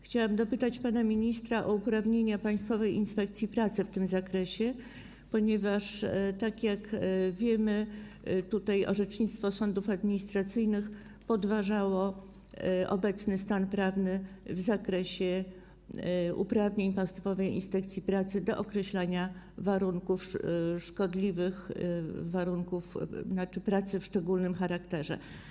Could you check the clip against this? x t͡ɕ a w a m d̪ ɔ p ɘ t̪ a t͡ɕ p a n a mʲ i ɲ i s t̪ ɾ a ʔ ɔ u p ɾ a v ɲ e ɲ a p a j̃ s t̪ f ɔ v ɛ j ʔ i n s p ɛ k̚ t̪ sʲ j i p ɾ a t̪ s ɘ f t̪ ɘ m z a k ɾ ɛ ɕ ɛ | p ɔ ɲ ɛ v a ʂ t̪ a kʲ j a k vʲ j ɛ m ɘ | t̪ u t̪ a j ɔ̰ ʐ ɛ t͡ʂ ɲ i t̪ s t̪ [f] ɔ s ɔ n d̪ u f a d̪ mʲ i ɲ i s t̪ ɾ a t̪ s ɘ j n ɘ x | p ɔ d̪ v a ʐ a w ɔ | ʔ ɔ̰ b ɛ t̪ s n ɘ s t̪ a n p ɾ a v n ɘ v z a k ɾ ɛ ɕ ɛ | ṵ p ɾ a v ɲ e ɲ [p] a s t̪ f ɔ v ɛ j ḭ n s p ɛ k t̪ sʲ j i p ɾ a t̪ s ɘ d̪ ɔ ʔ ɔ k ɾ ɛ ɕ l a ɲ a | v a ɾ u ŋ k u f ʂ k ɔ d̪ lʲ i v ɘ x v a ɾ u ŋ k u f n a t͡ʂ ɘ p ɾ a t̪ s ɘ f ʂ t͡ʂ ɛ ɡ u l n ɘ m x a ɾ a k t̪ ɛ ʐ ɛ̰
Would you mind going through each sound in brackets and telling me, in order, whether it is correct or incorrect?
correct, correct

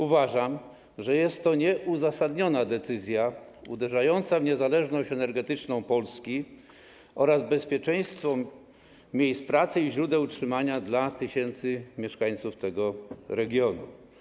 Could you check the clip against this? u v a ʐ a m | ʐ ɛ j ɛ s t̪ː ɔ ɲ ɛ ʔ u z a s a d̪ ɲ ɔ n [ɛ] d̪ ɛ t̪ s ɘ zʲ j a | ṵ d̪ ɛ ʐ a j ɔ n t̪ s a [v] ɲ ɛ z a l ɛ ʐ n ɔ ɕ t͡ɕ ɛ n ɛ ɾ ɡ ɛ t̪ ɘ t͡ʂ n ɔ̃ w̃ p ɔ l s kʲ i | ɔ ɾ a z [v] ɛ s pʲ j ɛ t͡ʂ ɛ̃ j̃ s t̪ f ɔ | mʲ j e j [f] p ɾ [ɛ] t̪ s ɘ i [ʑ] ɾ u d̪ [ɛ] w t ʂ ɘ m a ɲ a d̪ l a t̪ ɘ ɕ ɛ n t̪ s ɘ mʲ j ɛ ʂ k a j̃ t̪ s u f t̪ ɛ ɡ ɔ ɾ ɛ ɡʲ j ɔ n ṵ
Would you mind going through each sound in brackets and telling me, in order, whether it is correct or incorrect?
incorrect: a, correct, incorrect: b, incorrect: s, incorrect: a, correct, correct

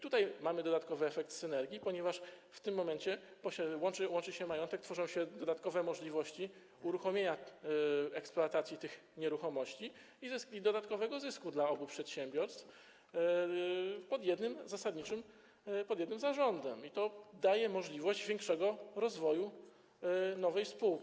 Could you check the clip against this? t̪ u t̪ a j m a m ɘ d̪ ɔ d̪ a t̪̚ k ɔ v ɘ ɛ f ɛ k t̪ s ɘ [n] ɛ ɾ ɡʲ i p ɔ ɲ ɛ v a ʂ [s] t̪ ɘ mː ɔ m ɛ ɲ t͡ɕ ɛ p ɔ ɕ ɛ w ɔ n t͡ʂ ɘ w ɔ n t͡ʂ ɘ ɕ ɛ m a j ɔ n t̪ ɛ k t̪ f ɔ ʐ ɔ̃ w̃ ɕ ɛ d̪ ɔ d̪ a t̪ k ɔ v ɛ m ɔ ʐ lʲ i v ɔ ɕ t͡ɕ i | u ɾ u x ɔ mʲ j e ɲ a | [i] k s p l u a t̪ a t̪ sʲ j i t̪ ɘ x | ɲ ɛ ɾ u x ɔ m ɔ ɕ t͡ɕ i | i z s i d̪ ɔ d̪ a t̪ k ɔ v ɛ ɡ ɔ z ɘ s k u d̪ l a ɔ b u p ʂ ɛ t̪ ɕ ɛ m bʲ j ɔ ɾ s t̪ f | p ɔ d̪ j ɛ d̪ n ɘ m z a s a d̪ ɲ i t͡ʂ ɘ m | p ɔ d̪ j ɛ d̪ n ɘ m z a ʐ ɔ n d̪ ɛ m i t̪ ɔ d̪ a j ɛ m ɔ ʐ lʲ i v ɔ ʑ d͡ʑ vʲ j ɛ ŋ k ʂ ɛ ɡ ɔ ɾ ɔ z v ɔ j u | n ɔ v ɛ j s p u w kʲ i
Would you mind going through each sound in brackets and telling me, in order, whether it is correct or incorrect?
correct, incorrect: f, incorrect: ɛ

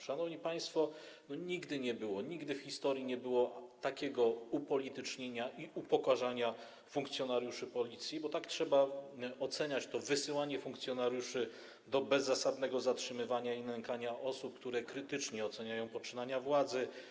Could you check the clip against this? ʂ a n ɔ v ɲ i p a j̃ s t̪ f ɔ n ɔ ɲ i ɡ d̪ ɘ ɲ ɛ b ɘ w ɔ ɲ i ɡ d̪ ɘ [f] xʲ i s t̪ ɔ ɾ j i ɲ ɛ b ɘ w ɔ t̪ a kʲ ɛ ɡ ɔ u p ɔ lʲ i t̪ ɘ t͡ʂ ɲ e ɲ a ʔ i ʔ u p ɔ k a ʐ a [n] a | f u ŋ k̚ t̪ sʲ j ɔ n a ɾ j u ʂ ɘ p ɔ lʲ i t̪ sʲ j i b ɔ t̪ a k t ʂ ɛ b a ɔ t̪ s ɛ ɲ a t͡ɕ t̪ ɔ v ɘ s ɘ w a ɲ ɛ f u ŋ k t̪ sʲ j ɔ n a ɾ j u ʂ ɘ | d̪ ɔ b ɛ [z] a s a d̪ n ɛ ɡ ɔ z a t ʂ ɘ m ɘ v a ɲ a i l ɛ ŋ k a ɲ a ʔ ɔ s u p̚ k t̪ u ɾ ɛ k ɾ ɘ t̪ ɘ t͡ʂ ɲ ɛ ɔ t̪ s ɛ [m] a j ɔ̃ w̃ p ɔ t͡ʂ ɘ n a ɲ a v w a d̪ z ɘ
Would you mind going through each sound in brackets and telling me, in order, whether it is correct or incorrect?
correct, incorrect: ɲ, incorrect: zː, incorrect: ɲ

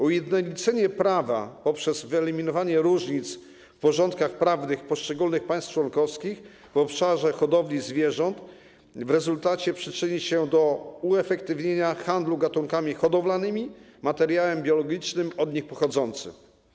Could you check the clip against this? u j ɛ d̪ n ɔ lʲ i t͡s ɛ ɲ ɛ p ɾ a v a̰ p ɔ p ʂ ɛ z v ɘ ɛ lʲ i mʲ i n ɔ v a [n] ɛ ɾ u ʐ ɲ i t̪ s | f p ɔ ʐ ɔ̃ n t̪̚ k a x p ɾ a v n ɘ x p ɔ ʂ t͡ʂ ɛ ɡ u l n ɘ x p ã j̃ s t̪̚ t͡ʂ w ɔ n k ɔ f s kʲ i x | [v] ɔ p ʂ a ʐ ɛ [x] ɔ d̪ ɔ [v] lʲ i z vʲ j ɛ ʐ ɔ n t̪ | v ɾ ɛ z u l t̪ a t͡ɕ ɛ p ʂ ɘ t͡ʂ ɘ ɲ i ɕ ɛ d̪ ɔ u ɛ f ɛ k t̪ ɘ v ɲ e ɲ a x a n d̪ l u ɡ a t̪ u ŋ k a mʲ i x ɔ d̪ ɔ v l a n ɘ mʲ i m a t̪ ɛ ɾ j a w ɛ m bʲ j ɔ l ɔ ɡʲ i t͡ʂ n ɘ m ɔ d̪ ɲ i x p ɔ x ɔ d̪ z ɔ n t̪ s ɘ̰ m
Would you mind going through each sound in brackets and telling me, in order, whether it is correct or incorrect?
incorrect: ɲ, correct, correct, correct

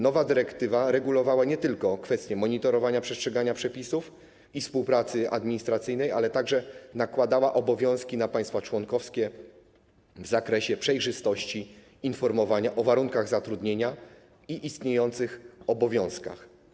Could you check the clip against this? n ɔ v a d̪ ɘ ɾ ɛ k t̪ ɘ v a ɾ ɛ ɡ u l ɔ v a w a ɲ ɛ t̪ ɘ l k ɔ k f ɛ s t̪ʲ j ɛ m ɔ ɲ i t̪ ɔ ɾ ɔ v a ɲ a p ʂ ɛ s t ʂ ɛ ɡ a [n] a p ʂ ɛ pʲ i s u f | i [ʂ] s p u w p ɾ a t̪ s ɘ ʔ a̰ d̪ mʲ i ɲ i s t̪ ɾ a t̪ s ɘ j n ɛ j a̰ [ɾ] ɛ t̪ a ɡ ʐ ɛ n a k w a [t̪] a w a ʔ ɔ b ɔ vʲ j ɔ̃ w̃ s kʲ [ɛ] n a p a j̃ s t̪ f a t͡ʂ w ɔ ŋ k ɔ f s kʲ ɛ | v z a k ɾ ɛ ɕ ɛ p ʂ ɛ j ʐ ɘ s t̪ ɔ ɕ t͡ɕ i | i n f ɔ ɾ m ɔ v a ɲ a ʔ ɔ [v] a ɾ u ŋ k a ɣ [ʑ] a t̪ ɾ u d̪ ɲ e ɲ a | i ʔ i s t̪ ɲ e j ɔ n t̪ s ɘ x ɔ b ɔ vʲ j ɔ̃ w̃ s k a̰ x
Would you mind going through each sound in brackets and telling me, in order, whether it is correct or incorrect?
incorrect: ɲ, incorrect: f, incorrect: l, incorrect: d̪, incorrect: i, correct, incorrect: z

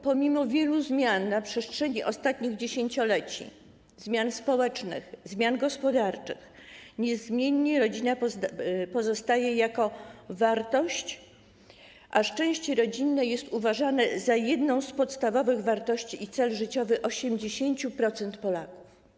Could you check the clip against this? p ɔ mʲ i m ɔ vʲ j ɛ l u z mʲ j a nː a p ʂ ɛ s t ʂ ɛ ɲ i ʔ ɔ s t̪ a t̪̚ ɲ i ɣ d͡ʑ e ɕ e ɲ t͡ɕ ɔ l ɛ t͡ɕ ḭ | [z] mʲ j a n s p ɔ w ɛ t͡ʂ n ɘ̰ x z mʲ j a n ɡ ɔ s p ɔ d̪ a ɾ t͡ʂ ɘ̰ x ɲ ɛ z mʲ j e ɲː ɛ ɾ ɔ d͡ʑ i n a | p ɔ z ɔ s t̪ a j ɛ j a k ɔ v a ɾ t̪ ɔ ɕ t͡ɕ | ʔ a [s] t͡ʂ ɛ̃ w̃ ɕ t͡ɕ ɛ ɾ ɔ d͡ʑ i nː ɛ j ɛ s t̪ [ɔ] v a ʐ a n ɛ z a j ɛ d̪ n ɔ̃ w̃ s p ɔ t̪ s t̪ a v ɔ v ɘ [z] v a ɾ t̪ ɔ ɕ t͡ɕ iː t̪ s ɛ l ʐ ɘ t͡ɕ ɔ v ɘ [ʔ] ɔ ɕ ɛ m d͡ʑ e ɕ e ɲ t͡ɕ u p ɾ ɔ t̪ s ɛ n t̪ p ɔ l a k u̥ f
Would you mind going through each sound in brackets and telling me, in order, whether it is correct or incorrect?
correct, incorrect: ʂ, incorrect: u, incorrect: ɣ, correct

